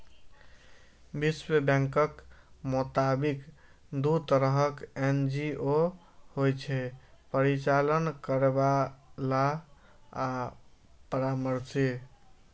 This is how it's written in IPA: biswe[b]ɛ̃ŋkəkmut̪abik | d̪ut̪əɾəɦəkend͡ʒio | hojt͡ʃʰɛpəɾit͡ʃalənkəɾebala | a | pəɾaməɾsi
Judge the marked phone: correct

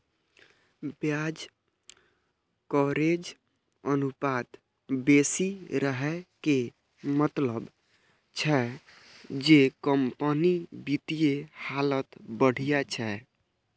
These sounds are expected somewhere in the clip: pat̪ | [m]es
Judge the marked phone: incorrect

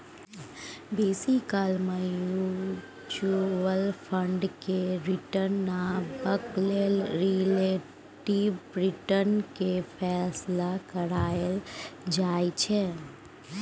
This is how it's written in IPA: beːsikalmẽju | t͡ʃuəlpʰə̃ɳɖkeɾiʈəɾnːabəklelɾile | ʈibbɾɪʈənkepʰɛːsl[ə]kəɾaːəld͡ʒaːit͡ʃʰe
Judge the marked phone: incorrect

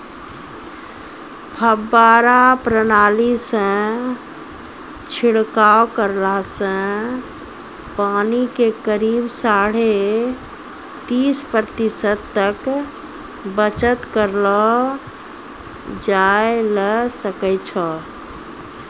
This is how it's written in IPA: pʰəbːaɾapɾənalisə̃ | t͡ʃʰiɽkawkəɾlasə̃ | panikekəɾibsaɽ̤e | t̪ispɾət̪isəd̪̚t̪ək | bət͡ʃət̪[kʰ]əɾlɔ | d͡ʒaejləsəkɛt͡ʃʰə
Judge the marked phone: incorrect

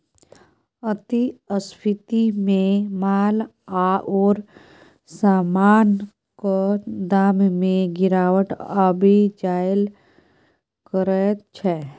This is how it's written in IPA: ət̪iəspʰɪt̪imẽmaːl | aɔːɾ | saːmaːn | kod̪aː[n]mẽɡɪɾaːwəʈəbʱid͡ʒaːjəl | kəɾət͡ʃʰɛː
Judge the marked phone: incorrect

